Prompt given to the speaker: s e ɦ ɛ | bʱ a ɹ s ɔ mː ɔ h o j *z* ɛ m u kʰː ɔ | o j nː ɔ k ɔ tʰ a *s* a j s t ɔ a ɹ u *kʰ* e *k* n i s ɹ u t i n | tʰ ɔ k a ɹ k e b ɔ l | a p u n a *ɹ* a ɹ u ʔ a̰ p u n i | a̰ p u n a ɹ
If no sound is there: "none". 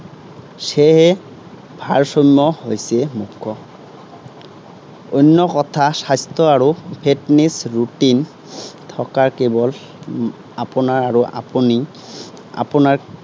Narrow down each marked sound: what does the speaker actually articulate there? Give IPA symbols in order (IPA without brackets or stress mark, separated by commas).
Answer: s, s, pʰ, t, ɹ